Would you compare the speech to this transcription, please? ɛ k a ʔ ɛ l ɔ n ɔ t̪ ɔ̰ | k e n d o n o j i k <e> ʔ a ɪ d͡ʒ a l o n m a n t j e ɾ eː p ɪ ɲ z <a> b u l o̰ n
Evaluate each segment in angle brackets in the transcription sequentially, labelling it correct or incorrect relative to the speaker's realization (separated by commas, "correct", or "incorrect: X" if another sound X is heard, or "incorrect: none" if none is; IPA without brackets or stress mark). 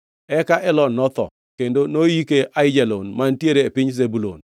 correct, incorrect: e